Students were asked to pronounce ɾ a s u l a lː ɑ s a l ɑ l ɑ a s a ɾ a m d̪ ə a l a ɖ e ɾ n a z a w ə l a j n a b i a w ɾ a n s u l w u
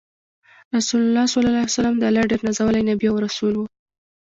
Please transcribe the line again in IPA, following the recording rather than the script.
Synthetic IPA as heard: ɾ a s u l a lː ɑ s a l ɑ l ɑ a s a l a m d̪ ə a l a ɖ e ɾ n a z a w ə l a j n a b i a w ɾ a s u l w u